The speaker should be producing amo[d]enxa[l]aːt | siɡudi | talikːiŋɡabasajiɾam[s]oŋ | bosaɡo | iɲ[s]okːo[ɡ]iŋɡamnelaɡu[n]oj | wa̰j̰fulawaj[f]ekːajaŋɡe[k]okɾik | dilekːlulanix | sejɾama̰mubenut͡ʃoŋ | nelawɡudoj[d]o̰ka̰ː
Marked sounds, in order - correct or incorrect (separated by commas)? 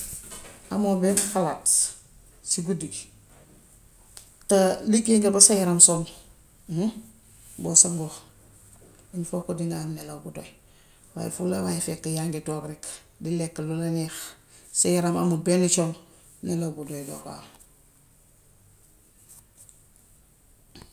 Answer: incorrect, correct, correct, incorrect, incorrect, incorrect, correct, incorrect, correct